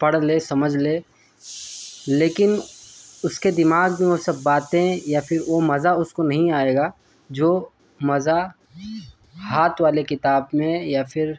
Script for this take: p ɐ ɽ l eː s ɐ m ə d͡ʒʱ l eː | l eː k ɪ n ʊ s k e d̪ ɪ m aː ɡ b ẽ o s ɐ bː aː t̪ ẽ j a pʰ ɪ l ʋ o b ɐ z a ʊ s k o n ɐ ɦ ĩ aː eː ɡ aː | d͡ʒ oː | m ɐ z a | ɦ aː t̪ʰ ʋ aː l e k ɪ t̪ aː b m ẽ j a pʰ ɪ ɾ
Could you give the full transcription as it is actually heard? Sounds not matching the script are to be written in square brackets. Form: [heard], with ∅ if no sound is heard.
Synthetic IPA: p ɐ ɽ l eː s ɐ m ə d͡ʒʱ l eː | l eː k ɪ n ʊ s k e d̪ ɪ m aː ɡ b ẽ o s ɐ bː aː t̪ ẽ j a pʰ ɪ [ɾ] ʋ o [m] ɐ z a ʊ s k o n ɐ ɦ ĩ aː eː ɡ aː | d͡ʒ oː | m ɐ z a | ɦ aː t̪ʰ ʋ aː l e k ɪ t̪ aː b m ẽ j a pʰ ɪ ɾ

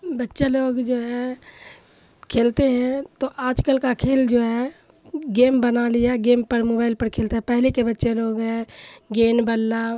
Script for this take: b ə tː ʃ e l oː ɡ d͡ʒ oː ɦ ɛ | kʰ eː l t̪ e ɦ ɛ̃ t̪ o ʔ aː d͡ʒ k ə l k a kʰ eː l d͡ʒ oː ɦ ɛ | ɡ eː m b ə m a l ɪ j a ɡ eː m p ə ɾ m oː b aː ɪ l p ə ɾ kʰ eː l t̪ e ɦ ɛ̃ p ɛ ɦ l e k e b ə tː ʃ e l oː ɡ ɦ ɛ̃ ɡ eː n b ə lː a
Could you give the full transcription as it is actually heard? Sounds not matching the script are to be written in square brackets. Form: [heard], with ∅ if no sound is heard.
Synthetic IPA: b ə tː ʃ e l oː ɡ d͡ʒ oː ɦ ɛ | kʰ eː l t̪ e ɦ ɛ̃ t̪ o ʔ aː d͡ʒ k ə l k a kʰ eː l d͡ʒ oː ɦ ɛ | ɡ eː m b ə [n] a l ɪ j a ɡ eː m p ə ɾ m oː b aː ɪ l p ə ɾ kʰ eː l t̪ e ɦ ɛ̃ p ɛ ɦ l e k e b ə tː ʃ e l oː ɡ ɦ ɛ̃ ɡ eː n b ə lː a

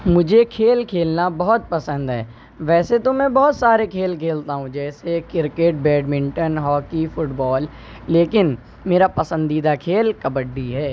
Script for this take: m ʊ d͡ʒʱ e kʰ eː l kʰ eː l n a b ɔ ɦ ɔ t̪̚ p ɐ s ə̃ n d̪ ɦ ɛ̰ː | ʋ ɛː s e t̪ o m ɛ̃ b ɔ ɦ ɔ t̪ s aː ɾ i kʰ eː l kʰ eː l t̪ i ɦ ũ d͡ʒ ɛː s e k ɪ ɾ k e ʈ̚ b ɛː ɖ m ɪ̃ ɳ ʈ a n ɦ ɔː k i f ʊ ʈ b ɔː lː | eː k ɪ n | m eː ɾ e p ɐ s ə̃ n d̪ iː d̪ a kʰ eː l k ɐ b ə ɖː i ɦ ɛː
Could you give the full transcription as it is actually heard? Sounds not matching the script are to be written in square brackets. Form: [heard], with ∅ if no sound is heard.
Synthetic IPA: m ʊ d͡ʒʱ e kʰ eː l kʰ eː l n a b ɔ ɦ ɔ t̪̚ p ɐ s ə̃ n d̪ ɦ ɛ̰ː | ʋ ɛː s e t̪ o m ɛ̃ b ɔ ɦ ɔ t̪ s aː ɾ [e] kʰ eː l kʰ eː l t̪ [a] ɦ ũ d͡ʒ ɛː s e k ɪ ɾ k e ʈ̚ b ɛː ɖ m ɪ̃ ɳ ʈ [ə] n ɦ ɔː k i f ʊ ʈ b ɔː lː | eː k ɪ n | m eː ɾ [a] p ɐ s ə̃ n d̪ iː d̪ a kʰ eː l k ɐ b ə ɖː i ɦ ɛː

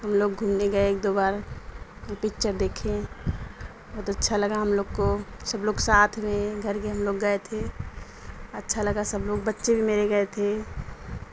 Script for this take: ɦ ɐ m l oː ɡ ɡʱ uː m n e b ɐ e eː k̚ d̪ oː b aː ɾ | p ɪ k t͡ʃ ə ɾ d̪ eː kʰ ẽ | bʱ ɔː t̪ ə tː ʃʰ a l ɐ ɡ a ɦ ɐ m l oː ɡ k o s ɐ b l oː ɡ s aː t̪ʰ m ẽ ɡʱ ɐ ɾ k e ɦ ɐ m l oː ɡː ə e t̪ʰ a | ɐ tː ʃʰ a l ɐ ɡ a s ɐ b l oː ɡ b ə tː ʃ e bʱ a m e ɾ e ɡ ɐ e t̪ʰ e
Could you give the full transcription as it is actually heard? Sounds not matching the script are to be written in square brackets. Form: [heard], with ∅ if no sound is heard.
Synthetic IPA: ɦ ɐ m l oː ɡ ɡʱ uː m n e [ɡ] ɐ e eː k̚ d̪ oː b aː ɾ | p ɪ k t͡ʃ ə ɾ d̪ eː kʰ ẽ | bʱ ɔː t̪ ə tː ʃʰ a l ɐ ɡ a ɦ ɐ m l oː ɡ k o s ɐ b l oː ɡ s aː t̪ʰ m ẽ ɡʱ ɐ ɾ k e ɦ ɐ m l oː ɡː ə e t̪ʰ [e] | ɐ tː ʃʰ a l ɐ ɡ a s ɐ b l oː ɡ b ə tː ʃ e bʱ [i] m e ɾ e ɡ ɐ e t̪ʰ e

